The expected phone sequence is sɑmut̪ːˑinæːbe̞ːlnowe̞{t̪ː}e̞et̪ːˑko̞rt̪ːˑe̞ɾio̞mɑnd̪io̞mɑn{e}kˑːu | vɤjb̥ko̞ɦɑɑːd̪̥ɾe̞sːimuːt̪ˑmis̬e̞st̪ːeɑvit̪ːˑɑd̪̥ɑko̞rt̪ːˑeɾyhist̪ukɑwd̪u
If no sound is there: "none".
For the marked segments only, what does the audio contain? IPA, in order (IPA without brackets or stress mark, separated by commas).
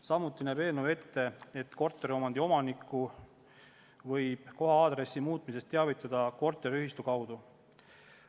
t̪ː, i